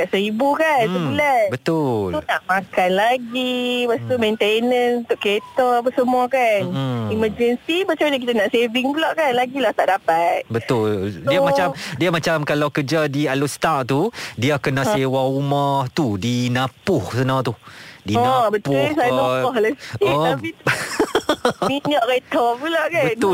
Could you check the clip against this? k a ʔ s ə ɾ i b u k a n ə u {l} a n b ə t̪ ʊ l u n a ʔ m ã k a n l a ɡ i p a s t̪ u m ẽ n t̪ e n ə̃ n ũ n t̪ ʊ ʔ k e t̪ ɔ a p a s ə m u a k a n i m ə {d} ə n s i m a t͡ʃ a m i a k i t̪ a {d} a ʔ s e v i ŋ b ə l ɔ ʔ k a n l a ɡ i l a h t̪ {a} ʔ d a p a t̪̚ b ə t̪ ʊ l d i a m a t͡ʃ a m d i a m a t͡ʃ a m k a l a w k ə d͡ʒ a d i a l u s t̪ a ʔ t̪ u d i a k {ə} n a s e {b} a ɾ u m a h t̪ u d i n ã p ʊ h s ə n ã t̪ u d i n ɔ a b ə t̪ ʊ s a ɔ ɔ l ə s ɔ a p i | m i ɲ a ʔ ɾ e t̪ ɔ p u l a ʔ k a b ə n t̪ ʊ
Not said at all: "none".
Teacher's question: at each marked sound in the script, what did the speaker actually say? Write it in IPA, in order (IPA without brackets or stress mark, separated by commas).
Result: l, d͡ʒ, n, a, ə, w